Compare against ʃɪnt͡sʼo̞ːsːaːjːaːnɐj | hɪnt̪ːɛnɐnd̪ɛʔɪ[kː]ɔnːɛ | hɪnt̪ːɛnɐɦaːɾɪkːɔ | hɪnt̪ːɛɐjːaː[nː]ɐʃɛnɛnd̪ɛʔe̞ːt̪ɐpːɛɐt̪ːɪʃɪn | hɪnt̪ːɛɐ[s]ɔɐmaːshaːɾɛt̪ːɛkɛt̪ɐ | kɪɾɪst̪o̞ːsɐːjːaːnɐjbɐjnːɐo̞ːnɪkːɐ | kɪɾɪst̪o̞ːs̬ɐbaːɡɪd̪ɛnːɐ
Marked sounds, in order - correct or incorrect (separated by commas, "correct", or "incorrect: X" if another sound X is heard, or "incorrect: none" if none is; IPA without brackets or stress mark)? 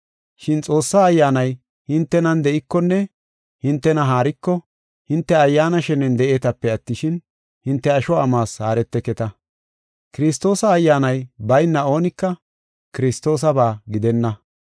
correct, incorrect: n, incorrect: ʃ